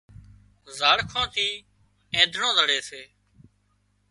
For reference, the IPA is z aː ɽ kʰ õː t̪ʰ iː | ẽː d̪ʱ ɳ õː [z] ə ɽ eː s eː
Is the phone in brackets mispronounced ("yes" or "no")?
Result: no